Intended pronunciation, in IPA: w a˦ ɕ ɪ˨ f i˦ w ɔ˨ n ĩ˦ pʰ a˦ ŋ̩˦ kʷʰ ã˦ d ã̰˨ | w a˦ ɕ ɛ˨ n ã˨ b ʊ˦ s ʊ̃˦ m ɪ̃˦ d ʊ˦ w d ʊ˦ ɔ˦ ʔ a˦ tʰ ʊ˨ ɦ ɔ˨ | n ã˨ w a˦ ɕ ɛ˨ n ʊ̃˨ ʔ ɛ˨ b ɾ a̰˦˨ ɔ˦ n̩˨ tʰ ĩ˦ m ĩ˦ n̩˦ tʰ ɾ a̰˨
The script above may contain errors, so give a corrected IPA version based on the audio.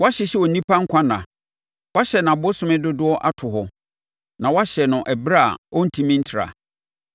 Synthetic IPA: w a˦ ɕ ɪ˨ ɕ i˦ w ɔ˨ n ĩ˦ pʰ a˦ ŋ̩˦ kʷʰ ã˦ n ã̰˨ | w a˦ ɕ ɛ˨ n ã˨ b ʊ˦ s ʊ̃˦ m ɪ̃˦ d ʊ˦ d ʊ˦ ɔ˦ ʔ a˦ tʰ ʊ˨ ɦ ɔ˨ | n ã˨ w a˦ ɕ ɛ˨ n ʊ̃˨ ʔ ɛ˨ b ɾ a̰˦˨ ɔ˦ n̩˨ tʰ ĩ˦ m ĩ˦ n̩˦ tʰ ɾ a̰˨